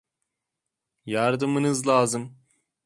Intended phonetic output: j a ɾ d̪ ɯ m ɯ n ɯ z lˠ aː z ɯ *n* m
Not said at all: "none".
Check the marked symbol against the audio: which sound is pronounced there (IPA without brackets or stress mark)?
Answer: none